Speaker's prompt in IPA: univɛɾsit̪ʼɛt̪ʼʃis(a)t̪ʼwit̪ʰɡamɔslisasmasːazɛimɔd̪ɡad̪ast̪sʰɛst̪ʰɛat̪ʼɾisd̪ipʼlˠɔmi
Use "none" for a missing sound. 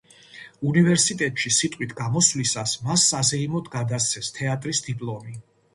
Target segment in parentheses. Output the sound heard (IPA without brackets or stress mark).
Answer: i